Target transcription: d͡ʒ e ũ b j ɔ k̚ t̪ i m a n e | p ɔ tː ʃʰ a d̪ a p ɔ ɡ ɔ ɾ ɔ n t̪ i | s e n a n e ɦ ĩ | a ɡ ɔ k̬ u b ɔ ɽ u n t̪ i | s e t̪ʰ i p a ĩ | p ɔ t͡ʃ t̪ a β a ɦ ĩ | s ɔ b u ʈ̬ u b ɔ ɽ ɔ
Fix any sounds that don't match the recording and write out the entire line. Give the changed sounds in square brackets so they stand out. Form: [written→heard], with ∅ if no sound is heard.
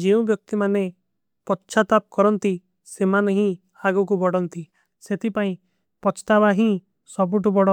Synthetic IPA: d͡ʒ e ũ b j ɔ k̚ t̪ i m a n e | p ɔ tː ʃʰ a [d̪→t̪] a p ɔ [ɡ→k] ɔ ɾ ɔ n t̪ i | s e [n→m] a n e ɦ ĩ | a ɡ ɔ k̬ u b ɔ ɽ [u→ɔ] n t̪ i | s e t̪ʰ i p a ĩ | p ɔ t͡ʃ t̪ a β a ɦ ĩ | s ɔ b u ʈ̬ u b ɔ ɽ ɔ

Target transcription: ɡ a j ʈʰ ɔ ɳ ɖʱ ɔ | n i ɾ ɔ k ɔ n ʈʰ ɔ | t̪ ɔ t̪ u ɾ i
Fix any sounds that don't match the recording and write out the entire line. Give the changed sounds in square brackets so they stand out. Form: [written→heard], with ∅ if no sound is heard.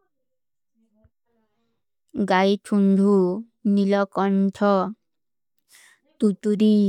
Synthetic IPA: ɡ a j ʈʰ [ɔ→u] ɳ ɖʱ [ɔ→u] | n i [ɾ→l] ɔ k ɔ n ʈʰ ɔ | t̪ [ɔ→u] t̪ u ɾ i

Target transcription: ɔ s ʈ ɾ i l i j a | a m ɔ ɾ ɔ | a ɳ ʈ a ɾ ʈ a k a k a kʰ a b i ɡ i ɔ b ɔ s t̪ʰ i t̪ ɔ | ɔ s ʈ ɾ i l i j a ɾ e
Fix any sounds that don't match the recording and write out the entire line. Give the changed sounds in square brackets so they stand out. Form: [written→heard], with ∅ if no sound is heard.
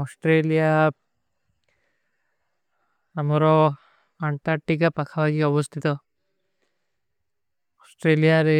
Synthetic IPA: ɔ s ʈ ɾ [i→e] l i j a | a m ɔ ɾ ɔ | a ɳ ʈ a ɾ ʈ [a→i] k a [k→p] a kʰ a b [i→a] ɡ i ɔ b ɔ s t̪ʰ i t̪ ɔ | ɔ s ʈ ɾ [i→e] l i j a ɾ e

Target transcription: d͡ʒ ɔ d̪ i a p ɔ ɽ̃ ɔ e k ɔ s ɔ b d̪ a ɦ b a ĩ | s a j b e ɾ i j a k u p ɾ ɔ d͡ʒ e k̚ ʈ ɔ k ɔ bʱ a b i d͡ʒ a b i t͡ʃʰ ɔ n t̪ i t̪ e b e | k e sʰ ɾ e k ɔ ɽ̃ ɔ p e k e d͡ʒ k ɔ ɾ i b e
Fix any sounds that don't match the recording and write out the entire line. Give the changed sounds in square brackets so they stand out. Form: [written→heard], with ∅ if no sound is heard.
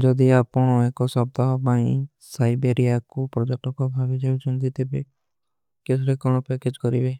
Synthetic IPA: d͡ʒ ɔ d̪ i a p ɔ ɽ̃ ɔ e k ɔ s ɔ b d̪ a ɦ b a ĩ | s a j b e ɾ i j a k u p ɾ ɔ d͡ʒ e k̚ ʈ ɔ k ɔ bʱ a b i d͡ʒ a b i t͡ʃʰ ɔ n t̪ i t̪ e b e | k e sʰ ɾ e k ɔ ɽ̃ ɔ p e k e d͡ʒ k ɔ ɾ i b e

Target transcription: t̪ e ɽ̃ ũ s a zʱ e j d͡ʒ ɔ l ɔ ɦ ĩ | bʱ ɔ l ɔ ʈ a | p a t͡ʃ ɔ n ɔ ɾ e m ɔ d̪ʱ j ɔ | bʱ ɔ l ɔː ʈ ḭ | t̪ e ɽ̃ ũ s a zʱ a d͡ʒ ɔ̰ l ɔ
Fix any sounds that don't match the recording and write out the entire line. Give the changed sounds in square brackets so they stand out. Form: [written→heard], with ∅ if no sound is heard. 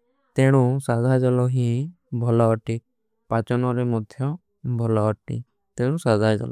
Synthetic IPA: t̪ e ɽ̃ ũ s a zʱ [e→a] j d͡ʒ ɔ l ɔ ɦ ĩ | bʱ ɔ l ɔ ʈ [a→i] | p a t͡ʃ ɔ n ɔ ɾ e m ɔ d̪ʱ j ɔ | bʱ ɔ l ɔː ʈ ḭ | t̪ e ɽ̃ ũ s a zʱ a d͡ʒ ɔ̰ l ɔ

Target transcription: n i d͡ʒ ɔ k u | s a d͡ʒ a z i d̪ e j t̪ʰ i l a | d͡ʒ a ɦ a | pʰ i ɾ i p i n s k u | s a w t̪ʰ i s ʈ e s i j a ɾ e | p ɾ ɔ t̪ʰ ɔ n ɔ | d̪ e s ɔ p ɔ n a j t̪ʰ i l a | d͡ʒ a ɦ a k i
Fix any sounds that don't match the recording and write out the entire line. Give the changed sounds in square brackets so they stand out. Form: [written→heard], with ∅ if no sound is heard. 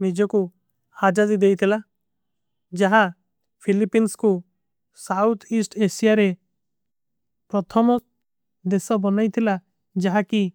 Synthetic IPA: n i d͡ʒ ɔ k u | [s→h] a d͡ʒ a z i d̪ e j t̪ʰ i l a | d͡ʒ a ɦ a | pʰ i [ɾ→l] i p i n s k u | s a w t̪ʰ i s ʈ e s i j a ɾ e | p ɾ ɔ t̪ʰ ɔ [n→m] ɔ | d̪ e s ɔ [p→b] ɔ n a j t̪ʰ i l a | d͡ʒ a ɦ a k i

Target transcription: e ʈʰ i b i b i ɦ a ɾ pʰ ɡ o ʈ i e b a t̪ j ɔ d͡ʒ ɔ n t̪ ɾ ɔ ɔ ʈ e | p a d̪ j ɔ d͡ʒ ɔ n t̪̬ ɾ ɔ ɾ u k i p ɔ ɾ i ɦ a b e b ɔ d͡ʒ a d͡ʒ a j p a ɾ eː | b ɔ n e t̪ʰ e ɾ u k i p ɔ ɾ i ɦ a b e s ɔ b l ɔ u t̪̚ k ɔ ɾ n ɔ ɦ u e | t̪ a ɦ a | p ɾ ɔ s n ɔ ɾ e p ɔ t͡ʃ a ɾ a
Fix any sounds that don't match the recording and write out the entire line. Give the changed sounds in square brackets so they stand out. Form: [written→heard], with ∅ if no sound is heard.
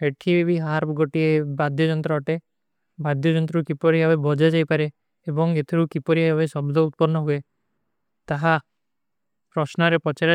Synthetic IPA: e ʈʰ i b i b i ɦ a ɾ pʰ ɡ o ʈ i e b a [t̪→d̪] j ɔ d͡ʒ ɔ n t̪ ɾ ɔ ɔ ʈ e | [p→b] a d̪ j ɔ d͡ʒ ɔ n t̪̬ ɾ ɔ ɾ u k i p ɔ ɾ i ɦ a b e b ɔ d͡ʒ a d͡ʒ a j p a ɾ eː | b ɔ [n→ŋ] e t̪ʰ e ɾ u k i p ɔ ɾ i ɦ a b e s ɔ b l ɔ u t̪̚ [k→p] ɔ ɾ n ɔ ɦ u e | t̪ a ɦ a | p ɾ ɔ s n ɔ ɾ e p ɔ t͡ʃ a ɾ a

